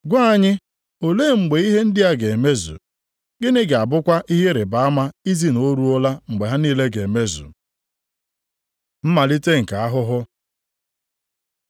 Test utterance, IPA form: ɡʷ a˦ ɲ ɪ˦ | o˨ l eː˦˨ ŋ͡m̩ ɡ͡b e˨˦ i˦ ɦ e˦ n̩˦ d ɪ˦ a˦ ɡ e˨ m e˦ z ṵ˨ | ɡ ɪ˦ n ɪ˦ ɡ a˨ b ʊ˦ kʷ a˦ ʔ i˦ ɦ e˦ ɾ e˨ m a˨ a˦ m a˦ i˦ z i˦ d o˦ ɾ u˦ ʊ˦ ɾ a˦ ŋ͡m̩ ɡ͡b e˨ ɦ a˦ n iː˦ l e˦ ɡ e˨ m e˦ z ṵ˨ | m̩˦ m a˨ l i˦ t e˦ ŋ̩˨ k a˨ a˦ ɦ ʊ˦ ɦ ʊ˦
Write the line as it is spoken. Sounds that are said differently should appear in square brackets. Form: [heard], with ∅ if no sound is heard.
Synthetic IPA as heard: ɡʷ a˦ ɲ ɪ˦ | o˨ l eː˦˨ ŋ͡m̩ ɡ͡b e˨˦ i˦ ɦ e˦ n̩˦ d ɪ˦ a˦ ɡ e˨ m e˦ z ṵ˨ | ɡ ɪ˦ n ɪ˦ ɡ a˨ b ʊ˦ kʷ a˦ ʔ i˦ ɦ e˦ ɾ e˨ [b] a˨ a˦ m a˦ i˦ z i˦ [n] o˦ ɾ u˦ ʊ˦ [l] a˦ ŋ͡m̩ ɡ͡b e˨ ɦ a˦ n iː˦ l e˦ ɡ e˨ m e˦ z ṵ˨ | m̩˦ m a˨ l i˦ t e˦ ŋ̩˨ k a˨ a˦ ɦ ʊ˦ ɦ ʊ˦

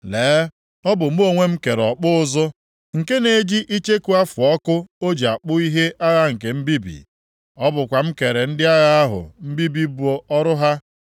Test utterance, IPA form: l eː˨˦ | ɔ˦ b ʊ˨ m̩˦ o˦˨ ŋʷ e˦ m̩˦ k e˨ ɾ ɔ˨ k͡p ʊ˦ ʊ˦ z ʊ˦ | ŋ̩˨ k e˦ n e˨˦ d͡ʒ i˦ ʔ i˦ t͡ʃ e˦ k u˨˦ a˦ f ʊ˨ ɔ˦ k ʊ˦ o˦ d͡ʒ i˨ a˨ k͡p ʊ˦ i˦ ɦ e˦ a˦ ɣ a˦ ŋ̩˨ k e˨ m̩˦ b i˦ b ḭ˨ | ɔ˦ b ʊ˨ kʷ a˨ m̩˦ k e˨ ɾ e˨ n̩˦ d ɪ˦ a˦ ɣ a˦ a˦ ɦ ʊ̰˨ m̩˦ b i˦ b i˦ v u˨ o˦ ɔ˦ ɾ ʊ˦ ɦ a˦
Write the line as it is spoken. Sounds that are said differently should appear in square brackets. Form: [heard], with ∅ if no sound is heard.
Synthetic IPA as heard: l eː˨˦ | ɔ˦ b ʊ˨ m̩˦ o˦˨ ŋʷ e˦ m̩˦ k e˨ ɾ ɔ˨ k͡p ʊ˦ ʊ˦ z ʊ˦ | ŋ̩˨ k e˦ n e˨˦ d͡ʒ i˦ ʔ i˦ t͡ʃ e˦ k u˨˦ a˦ f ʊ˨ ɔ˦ k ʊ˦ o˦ d͡ʒ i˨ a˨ k͡p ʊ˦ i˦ ɦ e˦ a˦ ɣ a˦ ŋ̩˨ k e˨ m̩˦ b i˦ b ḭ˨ | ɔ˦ b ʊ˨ kʷ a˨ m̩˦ k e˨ ɾ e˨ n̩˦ d ɪ˦ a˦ ɣ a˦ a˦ ɦ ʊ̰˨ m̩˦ b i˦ b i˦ [b] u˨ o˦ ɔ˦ ɾ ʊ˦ ɦ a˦

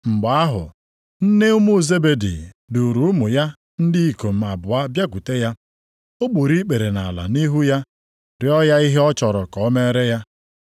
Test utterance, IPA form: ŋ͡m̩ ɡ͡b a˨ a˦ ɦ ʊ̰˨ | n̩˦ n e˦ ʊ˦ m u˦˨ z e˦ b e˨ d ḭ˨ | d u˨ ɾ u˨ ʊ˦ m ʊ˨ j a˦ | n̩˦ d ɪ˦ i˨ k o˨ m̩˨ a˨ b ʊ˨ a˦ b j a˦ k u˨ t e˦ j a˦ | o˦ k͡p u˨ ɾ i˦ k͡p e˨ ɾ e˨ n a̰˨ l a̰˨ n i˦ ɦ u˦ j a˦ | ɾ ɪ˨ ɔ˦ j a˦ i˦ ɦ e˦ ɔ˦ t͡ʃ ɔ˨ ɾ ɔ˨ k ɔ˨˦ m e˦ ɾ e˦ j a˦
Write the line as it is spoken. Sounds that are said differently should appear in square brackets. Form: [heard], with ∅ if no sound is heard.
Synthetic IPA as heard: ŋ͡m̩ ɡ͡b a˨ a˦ ɦ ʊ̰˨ | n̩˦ n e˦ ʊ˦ m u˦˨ z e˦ b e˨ d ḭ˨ | d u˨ ɾ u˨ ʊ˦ m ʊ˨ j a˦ | n̩˦ d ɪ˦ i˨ k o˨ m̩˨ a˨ b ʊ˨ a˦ b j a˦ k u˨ t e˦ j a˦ | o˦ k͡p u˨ ɾ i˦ k͡p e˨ ɾ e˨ n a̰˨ l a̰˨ n i˦ ɦ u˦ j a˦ | ɾ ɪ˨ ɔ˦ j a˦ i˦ ɦ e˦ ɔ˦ t͡ʃ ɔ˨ ɾ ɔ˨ k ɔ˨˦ m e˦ ɾ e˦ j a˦

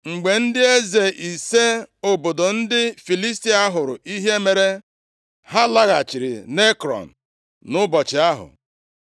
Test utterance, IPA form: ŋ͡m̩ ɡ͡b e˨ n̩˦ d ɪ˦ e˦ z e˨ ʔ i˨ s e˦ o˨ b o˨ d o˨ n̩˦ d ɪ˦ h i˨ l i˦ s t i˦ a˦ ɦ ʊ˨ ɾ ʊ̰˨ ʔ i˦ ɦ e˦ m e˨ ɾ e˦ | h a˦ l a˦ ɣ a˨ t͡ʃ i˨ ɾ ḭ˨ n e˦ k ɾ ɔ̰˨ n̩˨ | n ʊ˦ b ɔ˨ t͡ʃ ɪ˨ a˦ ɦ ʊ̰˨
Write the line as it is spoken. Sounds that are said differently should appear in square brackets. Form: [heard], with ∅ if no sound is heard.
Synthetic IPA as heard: ŋ͡m̩ ɡ͡b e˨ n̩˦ d ɪ˦ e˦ z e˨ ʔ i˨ s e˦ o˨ b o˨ d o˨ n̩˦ d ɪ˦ [f] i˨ l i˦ s t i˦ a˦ ɦ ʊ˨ ɾ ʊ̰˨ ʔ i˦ ɦ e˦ m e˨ ɾ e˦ | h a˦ l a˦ ɣ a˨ t͡ʃ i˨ ɾ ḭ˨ n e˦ k ɾ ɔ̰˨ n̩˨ | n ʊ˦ b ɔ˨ t͡ʃ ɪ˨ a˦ ɦ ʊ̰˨

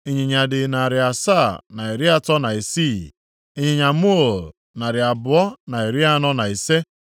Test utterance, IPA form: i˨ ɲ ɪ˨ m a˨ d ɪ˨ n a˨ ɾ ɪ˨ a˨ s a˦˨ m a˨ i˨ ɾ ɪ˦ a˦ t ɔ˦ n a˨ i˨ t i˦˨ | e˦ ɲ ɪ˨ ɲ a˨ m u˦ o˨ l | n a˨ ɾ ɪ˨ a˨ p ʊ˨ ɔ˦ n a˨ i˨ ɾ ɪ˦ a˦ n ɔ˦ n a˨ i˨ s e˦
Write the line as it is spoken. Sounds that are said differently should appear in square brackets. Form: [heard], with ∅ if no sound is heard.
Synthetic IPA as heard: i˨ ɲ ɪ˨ [ɲ] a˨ d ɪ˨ n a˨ ɾ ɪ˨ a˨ s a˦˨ [n] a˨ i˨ ɾ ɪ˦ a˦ t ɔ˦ n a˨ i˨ [s] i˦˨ | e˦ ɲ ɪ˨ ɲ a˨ m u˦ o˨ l | n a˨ ɾ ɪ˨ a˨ [b] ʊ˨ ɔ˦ n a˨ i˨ ɾ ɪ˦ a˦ n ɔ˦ n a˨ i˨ s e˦

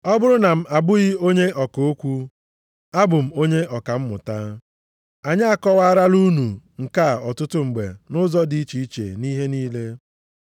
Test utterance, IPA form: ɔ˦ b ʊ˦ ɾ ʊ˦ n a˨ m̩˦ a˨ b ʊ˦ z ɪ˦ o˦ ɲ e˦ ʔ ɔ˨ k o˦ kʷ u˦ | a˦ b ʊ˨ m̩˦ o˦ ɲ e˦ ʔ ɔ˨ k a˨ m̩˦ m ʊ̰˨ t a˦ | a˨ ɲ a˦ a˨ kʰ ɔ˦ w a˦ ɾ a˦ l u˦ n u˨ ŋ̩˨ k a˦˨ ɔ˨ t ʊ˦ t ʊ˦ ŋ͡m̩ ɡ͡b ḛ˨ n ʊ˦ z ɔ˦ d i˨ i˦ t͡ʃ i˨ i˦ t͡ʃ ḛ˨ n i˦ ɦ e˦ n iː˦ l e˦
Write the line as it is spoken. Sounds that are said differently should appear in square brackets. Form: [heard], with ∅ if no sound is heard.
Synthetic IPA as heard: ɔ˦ b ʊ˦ ɾ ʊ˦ n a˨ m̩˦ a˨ b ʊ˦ [ɣ] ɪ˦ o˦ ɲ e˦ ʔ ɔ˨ k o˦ kʷ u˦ | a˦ b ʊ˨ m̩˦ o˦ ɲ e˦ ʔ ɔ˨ k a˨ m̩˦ m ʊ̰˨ t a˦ | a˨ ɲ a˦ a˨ [k] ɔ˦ w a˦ ɾ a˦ l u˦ n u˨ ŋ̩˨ k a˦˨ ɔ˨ t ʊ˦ t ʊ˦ ŋ͡m̩ ɡ͡b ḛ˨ n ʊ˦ z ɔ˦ d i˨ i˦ t͡ʃ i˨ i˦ t͡ʃ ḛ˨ n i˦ ɦ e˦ n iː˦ l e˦

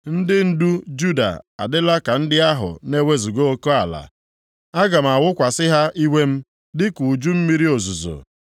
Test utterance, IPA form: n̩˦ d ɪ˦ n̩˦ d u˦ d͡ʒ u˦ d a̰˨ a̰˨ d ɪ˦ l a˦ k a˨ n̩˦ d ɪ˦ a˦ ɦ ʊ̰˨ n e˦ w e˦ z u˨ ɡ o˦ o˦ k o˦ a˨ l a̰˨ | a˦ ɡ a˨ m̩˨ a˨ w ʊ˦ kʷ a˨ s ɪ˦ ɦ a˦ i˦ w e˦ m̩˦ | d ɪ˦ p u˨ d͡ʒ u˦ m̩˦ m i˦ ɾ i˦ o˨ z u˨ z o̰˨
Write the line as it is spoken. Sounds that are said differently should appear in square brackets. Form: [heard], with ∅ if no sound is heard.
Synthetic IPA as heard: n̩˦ d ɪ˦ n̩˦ d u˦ d͡ʒ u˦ d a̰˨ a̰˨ d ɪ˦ l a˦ k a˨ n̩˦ d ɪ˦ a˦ ɦ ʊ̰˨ n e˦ w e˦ z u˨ ɡ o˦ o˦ k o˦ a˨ l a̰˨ | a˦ ɡ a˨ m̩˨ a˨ w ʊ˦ kʷ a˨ s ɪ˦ ɦ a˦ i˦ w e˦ m̩˦ | d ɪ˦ [k] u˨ d͡ʒ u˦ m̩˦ m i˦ ɾ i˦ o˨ z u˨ z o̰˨

